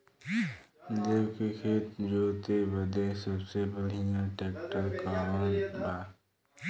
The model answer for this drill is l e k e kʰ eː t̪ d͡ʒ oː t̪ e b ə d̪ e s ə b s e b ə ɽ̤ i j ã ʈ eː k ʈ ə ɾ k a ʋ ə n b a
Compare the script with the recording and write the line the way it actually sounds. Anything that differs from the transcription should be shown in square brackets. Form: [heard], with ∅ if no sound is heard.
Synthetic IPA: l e k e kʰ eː t̪ d͡ʒ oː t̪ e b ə d̪ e s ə b s e b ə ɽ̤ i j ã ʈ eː k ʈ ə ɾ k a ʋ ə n b a

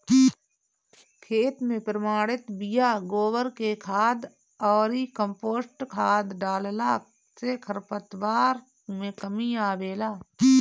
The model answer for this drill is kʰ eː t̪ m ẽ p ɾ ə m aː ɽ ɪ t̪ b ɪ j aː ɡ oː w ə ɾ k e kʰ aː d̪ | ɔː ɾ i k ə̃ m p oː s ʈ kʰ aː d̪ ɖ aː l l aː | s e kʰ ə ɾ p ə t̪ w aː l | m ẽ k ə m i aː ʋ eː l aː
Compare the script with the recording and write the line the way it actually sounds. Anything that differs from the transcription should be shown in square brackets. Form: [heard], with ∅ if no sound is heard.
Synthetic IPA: kʰ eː t̪ m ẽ p ɾ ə m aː ɽ ɪ t̪ b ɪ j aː ɡ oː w ə ɾ k e kʰ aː d̪ | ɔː ɾ i k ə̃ m p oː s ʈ kʰ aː d̪ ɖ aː l l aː | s e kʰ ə ɾ p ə t̪ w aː [ɾ] | m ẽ k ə m i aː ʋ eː l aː

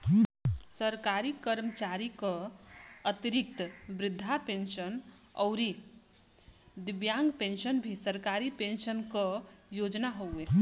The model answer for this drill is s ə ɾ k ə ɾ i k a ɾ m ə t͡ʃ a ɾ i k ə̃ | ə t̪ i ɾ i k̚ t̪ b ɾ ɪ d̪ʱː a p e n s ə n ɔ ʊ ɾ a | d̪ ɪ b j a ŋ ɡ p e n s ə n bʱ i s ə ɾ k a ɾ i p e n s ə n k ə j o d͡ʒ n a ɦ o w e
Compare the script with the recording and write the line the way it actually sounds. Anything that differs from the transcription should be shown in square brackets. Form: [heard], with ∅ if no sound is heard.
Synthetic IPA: s ə ɾ k [a] ɾ i k [ə] ɾ m ə t͡ʃ a ɾ i k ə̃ | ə t̪ i ɾ i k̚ t̪ b ɾ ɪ d̪ʱː a p e n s ə n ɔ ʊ ɾ [i] | d̪ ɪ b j a ŋ ɡ p e n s ə n bʱ i s ə ɾ k a ɾ i p e n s ə n k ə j o d͡ʒ n a ɦ o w e

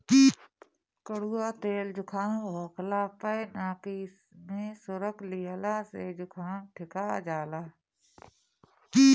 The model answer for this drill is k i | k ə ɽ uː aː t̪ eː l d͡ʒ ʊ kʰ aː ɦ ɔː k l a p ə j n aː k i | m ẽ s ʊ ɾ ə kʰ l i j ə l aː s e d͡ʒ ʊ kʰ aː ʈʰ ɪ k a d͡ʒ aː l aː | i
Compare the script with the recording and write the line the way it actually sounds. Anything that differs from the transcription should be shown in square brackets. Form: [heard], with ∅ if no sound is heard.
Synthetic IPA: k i | k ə ɽ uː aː t̪ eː l d͡ʒ ʊ kʰ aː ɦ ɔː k l a p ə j n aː k i | m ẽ s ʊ ɾ ə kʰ l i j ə l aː s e d͡ʒ ʊ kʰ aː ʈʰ ɪ k a d͡ʒ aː l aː | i

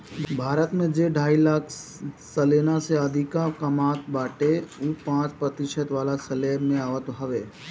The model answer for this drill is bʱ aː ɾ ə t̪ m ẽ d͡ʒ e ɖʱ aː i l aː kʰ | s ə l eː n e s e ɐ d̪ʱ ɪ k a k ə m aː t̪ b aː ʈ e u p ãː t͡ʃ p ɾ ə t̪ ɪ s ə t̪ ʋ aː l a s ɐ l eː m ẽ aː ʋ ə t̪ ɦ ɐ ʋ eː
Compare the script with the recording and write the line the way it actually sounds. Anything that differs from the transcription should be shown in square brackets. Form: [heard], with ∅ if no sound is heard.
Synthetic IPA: bʱ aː ɾ ə t̪ m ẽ d͡ʒ e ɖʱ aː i l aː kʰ | s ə l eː n [a] s e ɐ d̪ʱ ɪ k a k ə m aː t̪ b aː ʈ e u p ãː t͡ʃ p ɾ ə t̪ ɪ [ʃ] ə t̪ ʋ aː l a s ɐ l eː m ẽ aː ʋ ə t̪ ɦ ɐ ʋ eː

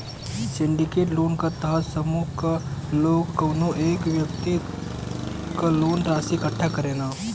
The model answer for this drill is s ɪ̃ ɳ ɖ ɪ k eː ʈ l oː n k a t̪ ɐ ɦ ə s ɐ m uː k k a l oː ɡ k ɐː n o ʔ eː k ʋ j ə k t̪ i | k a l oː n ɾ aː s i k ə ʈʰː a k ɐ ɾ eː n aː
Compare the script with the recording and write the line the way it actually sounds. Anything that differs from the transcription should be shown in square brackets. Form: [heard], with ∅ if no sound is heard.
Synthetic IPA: s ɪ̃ ɳ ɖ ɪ k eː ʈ l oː n k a t̪ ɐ ɦ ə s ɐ m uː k k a l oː ɡ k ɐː n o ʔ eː k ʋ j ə k t̪ i | k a l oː n ɾ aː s i k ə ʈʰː a k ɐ ɾ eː n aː

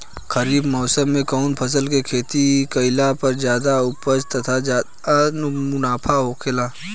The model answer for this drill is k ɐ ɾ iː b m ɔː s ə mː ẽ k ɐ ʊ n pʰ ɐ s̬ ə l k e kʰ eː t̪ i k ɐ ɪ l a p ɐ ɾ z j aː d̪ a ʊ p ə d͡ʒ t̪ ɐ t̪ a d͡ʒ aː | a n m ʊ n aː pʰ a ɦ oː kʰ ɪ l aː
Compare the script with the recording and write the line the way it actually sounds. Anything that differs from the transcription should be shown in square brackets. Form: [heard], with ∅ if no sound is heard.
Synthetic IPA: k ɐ ɾ iː b m ɔː s ə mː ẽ k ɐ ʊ n pʰ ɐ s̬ ə l k e kʰ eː t̪ i k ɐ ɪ l a p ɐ ɾ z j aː d̪ a ʊ p ə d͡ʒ t̪ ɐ [t̪ʰ] a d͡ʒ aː | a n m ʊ n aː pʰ a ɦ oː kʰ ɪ l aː

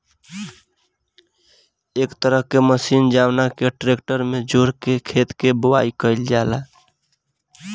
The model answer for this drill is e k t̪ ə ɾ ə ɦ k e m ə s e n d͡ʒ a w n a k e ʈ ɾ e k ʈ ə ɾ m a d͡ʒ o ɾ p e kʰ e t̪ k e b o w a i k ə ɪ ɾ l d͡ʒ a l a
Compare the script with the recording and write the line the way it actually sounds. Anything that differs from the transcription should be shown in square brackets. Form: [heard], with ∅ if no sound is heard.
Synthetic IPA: e k t̪ ə ɾ ə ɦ k e m ə s [i] n d͡ʒ a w n a k e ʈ ɾ e k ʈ ə ɾ m [e] d͡ʒ o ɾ [k] e kʰ e t̪ k e b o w a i k ə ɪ [∅] l d͡ʒ a l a

